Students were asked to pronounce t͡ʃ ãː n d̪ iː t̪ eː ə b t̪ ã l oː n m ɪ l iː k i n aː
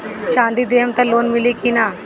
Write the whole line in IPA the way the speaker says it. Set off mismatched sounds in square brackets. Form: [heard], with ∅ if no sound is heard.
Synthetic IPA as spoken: t͡ʃ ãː n d̪ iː [d̪] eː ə [m] t̪ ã l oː n m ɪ l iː k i n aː

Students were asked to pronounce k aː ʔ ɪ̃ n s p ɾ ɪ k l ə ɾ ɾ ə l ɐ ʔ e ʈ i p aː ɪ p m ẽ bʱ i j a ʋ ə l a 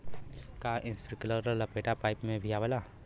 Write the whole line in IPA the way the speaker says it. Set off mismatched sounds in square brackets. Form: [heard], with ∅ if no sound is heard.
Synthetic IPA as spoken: k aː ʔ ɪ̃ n s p ɾ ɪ k l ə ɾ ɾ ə l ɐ [p] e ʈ [a] p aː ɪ p m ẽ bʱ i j a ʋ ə l a

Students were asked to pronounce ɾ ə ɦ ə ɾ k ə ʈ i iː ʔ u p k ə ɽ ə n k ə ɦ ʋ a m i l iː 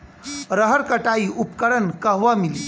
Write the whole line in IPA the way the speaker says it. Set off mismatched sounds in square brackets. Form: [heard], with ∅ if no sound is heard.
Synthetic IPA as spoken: ɾ ə ɦ ə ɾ k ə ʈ [a] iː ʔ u p k ə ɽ ə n k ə ɦ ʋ a m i l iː

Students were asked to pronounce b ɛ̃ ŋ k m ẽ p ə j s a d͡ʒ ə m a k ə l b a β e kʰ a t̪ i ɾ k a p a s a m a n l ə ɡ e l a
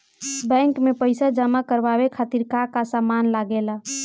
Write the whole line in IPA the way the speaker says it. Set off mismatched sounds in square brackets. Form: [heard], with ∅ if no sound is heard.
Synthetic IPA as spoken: b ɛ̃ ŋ k m [e] p ə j s a d͡ʒ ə m a k ə [ɾ] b a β e kʰ a t̪ i ɾ k a [k] a s a m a n l [a] ɡ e l a

